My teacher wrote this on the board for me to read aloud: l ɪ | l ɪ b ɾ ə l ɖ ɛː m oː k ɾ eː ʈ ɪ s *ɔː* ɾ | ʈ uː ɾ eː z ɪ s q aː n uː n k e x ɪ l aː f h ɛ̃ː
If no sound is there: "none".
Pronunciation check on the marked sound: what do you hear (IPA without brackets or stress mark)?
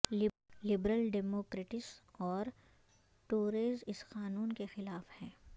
ɔː